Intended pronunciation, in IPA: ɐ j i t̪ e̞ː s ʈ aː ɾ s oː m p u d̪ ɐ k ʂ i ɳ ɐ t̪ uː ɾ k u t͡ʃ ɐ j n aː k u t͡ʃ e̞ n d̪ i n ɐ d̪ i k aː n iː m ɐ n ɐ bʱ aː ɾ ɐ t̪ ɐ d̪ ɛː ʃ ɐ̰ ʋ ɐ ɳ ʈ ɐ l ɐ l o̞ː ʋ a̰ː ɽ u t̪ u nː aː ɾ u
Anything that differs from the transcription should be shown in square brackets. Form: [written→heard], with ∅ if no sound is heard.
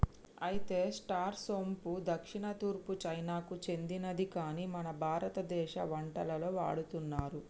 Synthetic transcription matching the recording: ɐ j i t̪ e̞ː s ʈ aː ɾ s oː m p u d̪ ɐ k ʂ i ɳ ɐ t̪ uː ɾ [k→p] u t͡ʃ ɐ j n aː k u t͡ʃ e̞ n d̪ i n ɐ d̪ i k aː n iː m ɐ n ɐ bʱ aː ɾ ɐ t̪ ɐ d̪ ɛː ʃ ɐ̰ ʋ ɐ ɳ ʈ ɐ l ɐ l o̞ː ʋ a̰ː ɽ u t̪ u nː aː ɾ u